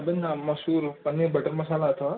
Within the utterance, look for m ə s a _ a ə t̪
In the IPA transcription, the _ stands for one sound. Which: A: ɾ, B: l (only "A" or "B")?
B